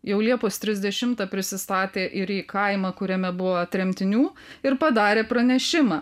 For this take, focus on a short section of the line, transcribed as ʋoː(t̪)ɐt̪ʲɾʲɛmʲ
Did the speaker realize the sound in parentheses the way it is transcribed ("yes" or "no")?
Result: no